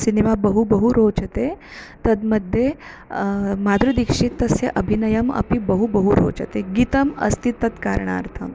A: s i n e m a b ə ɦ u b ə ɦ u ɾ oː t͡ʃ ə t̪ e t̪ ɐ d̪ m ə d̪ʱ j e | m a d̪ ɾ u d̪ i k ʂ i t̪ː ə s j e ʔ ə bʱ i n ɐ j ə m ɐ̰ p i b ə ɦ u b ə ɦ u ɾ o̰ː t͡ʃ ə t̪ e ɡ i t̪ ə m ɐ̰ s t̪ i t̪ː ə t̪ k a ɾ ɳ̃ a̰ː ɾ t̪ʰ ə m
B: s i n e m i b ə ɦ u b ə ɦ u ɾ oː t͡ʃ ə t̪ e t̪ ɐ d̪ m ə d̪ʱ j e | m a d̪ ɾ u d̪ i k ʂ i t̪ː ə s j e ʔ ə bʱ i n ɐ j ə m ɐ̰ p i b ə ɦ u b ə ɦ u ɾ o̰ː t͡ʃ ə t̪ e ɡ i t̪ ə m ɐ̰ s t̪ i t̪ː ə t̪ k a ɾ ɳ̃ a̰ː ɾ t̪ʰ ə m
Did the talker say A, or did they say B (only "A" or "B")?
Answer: A